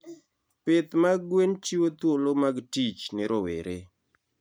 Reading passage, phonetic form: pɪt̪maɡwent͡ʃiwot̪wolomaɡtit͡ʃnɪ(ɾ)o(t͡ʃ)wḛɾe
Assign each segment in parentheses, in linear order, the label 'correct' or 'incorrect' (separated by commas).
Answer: correct, incorrect